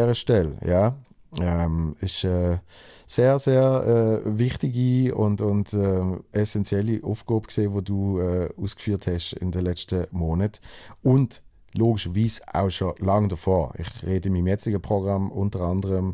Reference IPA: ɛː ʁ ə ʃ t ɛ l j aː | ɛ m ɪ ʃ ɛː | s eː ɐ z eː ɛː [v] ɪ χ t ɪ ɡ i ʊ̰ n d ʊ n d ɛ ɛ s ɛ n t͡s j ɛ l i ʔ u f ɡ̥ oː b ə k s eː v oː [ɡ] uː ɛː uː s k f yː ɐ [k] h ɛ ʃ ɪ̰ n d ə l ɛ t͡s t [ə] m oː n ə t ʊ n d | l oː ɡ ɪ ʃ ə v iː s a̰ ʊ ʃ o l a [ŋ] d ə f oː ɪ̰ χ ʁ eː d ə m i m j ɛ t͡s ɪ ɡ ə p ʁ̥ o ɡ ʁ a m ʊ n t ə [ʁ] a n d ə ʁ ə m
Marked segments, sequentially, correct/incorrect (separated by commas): correct, incorrect, incorrect, correct, correct, correct